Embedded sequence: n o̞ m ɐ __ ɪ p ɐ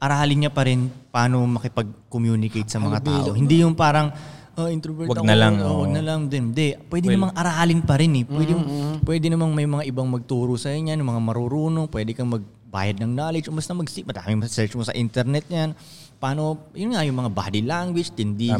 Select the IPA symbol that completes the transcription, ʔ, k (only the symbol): k